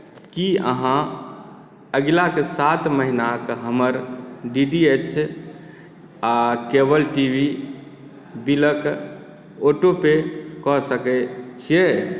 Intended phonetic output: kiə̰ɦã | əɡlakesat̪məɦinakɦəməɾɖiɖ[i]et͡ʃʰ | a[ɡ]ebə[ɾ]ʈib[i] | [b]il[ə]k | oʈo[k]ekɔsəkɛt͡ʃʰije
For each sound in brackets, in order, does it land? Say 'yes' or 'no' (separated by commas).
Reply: yes, no, no, yes, yes, yes, no